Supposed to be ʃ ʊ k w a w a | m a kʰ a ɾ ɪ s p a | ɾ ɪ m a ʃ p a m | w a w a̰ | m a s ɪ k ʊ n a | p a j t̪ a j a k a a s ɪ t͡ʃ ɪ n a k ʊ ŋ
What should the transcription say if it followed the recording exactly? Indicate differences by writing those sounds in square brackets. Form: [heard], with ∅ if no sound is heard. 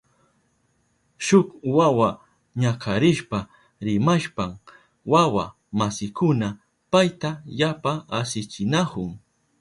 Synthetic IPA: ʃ ʊ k w a w a | [ɲ] a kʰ a ɾ ɪ [ʃ] p a | ɾ ɪ m a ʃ p a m | w a w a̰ | m a s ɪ k ʊ n a | p a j t̪ a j a [p] a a s ɪ t͡ʃ ɪ n a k ʊ ŋ